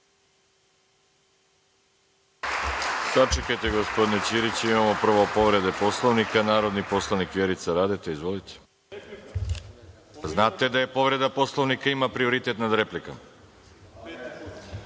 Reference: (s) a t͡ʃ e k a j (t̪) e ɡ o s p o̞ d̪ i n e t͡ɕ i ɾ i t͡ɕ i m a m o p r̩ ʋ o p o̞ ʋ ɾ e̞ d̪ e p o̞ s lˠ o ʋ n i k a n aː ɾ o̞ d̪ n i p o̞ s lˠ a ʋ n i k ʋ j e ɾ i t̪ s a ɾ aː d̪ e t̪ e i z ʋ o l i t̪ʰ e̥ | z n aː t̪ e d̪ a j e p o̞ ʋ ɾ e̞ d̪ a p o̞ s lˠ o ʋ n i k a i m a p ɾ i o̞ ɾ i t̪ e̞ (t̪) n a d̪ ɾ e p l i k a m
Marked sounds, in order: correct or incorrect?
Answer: correct, correct, correct

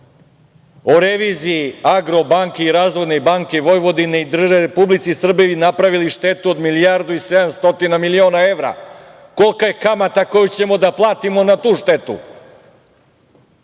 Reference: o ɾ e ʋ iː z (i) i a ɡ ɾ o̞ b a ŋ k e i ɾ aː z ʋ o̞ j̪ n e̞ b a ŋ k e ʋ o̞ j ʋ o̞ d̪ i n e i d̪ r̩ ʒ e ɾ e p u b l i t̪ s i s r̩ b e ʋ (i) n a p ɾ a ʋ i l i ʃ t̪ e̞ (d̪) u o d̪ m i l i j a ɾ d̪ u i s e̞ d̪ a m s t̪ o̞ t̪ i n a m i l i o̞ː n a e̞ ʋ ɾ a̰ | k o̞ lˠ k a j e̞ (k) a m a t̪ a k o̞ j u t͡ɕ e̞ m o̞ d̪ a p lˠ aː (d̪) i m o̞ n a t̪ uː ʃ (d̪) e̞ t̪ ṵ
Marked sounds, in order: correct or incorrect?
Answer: correct, correct, incorrect: t̪, correct, incorrect: t̪, incorrect: t̪

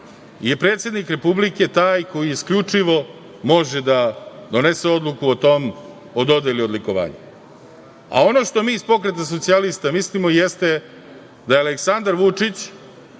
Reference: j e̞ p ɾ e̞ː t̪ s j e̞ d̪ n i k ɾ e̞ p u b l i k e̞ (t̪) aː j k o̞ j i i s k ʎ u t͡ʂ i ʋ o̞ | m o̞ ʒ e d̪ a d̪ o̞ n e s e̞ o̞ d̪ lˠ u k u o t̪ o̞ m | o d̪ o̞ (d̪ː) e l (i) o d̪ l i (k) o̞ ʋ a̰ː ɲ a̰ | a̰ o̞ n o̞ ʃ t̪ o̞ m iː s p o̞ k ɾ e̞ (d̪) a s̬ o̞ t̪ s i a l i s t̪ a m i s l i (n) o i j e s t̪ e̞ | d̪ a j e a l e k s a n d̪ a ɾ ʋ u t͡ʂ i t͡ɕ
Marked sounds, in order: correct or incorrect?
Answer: correct, incorrect: d̪, correct, correct, incorrect: t̪, incorrect: m

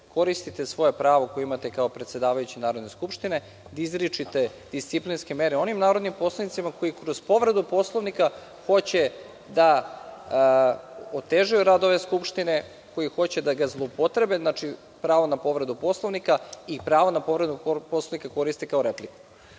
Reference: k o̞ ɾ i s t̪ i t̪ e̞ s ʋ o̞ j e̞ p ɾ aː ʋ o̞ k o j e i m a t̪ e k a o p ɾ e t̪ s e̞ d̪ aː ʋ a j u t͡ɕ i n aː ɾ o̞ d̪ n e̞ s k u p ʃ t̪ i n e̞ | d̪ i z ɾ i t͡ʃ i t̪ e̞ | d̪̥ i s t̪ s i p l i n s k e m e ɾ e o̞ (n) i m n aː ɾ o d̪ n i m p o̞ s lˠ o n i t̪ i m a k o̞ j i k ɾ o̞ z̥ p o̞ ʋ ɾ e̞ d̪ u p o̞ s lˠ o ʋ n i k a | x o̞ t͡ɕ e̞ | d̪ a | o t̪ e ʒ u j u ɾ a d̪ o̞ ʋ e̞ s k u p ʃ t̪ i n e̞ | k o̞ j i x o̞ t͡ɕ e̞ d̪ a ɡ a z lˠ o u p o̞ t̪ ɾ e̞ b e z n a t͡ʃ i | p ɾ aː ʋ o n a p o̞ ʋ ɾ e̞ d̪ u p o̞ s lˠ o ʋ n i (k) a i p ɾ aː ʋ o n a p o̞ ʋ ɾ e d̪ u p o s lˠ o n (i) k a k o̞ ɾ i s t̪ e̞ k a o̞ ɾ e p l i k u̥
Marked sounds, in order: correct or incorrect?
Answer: correct, correct, correct

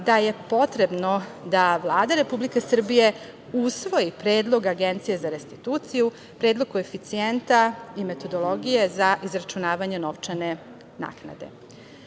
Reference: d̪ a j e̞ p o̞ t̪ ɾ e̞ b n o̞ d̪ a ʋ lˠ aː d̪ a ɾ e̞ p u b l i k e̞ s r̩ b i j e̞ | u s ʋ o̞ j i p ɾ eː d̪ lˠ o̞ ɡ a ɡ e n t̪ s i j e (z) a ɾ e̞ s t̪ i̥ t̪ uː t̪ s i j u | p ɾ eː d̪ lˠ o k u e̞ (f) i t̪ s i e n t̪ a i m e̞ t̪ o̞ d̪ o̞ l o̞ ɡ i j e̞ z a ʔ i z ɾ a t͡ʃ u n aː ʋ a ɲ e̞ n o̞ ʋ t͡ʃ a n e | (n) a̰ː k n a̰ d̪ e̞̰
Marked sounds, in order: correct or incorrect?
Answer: correct, correct, correct

